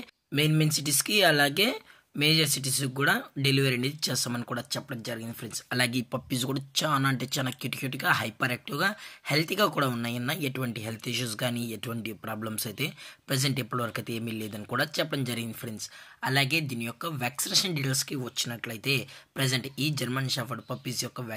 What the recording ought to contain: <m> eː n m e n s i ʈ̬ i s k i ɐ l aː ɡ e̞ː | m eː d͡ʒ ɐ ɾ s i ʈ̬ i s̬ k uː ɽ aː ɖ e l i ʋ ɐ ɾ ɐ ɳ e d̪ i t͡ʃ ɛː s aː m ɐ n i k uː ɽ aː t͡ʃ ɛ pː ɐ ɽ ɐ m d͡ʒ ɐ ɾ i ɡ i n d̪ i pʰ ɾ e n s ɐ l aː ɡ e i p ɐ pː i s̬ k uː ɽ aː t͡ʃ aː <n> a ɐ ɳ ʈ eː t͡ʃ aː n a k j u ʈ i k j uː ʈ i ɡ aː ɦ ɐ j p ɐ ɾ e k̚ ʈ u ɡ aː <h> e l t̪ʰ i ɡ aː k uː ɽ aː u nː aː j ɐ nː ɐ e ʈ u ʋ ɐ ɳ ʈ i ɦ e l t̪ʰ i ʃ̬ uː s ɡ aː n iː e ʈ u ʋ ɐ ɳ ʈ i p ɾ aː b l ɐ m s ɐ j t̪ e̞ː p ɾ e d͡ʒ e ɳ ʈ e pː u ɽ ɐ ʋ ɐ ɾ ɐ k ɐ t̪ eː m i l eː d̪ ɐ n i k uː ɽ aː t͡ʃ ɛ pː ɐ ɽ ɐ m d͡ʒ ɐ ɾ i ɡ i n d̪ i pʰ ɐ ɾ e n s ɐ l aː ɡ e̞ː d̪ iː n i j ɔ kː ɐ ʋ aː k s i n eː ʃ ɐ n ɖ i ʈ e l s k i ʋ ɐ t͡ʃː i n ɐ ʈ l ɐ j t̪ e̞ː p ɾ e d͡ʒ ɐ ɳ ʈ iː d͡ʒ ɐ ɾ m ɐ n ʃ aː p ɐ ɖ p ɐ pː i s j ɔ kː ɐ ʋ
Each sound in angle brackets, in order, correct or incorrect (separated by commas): correct, correct, correct